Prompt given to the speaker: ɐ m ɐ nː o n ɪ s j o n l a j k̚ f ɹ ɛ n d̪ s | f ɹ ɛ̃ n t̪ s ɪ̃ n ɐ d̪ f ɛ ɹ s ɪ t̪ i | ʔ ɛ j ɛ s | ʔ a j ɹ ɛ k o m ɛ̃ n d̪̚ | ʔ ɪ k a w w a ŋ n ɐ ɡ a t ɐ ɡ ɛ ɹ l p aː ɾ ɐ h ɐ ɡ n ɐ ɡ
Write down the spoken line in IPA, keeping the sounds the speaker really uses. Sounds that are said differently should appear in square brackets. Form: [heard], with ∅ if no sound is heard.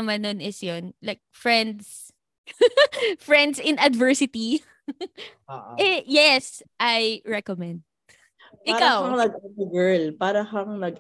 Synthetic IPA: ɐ m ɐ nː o n ɪ s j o n l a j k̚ f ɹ ɛ n d̪ s | f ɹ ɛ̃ n [d̪] s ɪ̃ n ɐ d̪ [v] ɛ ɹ s ɪ t̪ i | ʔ ɛ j ɛ s | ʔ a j ɹ ɛ k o m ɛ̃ n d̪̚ | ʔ ɪ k a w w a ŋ n ɐ ɡ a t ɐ ɡ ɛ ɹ l p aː ɾ ɐ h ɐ [ŋ] n ɐ ɡ